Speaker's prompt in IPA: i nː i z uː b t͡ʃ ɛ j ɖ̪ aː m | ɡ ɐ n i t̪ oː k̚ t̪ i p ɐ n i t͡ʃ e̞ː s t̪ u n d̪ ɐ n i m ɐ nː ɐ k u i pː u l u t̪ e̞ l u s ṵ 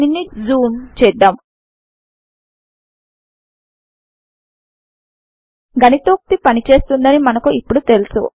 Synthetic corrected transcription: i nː i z uː m t͡ʃ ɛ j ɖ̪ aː m | ɡ ɐ n i t̪ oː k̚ t̪ i p ɐ n i t͡ʃ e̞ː s t̪ u n d̪ ɐ n i m ɐ n ɐ k u i pː u ɽ u t̪ e̞ l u s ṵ